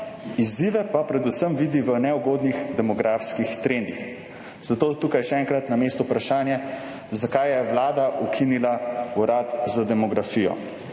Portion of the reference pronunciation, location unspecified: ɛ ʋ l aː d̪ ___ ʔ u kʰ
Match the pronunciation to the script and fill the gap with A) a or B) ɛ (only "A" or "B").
A